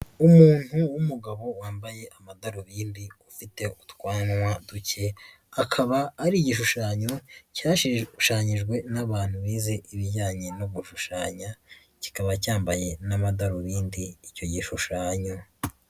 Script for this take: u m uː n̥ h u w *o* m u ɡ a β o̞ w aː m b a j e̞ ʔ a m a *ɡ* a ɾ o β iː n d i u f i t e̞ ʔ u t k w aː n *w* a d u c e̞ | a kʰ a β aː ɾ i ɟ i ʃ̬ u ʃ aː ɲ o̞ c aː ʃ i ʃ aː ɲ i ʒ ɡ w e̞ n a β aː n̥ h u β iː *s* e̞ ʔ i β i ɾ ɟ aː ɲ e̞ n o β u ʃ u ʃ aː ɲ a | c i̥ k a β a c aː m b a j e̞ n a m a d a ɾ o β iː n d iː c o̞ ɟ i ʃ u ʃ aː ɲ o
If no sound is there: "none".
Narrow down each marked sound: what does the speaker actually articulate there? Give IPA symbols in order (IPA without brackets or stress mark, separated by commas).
u, d, w, z